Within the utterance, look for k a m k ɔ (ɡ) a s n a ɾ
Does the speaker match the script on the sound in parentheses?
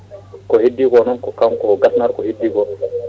yes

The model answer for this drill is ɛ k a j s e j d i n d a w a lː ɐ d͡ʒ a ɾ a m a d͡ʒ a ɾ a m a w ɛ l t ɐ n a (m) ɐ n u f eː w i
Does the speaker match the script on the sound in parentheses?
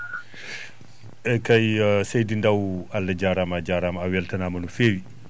yes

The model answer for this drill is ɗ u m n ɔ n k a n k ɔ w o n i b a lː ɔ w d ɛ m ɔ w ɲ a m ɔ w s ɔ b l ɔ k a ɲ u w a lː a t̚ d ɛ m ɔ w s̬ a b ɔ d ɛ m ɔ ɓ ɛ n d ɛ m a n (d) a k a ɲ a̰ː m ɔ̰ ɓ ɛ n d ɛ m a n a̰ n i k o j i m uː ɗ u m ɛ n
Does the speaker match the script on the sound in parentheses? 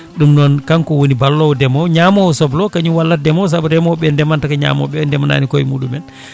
no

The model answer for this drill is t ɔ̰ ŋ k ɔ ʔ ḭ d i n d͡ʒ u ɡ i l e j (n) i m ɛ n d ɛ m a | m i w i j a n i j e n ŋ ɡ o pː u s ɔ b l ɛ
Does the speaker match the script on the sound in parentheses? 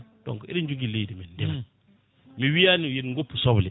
no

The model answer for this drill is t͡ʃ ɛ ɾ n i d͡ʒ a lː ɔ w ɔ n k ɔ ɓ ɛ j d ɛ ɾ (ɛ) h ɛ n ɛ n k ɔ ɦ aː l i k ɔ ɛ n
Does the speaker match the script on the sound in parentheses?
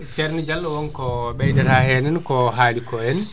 no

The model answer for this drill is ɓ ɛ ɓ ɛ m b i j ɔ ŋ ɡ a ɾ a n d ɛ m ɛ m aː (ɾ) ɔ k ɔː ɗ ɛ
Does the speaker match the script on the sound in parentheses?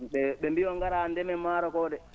yes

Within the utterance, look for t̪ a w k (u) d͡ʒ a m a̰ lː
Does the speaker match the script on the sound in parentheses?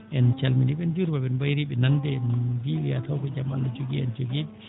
no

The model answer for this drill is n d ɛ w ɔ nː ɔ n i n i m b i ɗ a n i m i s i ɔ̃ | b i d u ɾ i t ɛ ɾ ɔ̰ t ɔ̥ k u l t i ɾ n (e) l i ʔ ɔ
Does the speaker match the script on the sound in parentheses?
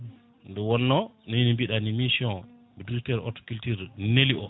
yes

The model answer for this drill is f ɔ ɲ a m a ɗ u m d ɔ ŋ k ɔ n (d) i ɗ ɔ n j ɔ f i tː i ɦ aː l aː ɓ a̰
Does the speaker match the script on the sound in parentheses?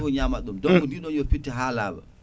yes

